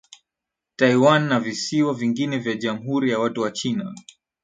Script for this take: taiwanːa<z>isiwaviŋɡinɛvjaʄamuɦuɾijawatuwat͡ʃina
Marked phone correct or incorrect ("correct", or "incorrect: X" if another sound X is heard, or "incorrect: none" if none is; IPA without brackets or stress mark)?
incorrect: v